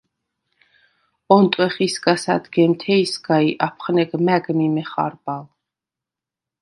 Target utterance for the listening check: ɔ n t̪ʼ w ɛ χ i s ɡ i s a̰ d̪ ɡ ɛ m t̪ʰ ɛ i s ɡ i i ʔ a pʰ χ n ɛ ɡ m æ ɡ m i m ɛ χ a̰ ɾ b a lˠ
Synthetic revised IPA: ɔ n t̪ʼ w ɛ χ i s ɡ a s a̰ d̪ ɡ ɛ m t̪ʰ ɛ i s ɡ a i ʔ a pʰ χ n ɛ ɡ m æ ɡ m i m ɛ χ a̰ ɾ b a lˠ